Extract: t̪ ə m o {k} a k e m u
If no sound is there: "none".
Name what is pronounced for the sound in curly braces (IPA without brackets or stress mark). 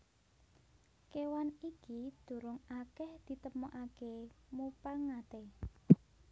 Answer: ʔ